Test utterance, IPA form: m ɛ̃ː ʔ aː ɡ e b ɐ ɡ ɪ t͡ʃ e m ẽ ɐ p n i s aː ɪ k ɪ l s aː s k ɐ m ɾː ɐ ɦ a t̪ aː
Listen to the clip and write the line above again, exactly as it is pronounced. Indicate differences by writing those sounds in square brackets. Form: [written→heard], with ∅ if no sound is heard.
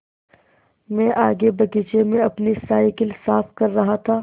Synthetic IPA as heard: m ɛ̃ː ʔ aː ɡ e b ɐ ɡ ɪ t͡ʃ e m ẽ ɐ p n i s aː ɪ k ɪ l s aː [s→f] k ɐ [m→∅] ɾː ɐ ɦ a [t̪→t̪ʰ] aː